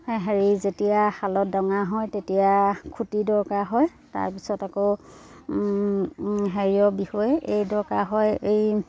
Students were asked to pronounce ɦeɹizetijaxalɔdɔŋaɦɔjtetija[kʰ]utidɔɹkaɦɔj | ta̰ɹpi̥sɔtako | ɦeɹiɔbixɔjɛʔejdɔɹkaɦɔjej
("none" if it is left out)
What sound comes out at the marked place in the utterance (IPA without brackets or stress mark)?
kʰ